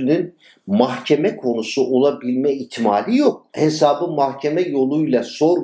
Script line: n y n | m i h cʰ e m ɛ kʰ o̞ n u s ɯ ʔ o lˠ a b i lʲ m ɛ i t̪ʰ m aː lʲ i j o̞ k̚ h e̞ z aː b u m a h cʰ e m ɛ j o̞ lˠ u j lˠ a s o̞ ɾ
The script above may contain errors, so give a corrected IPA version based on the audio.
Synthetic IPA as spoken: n y n | m a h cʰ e m ɛ kʰ o̞ n u s u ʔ o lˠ a b i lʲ m ɛ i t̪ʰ m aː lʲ i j o̞ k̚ h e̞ s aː b ɯ m a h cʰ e m ɛ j o̞ lˠ u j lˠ a s o̞ ɾ